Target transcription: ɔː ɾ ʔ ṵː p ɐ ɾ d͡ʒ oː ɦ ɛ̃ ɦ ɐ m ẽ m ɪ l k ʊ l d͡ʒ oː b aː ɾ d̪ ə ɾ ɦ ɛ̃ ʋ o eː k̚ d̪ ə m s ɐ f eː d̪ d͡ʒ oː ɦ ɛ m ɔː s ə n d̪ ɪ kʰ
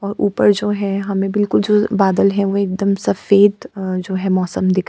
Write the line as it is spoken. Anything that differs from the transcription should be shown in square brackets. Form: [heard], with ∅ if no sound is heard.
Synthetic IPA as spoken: ɔː ɾ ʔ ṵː p [ə] ɾ d͡ʒ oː ɦ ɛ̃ ɦ ɐ m ẽ [b] ɪ l k ʊ l d͡ʒ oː b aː [∅] d̪ ə [l] ɦ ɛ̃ ʋ o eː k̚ d̪ ə m s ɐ f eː d̪ d͡ʒ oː ɦ ɛ m ɔː s ə [m] d̪ ɪ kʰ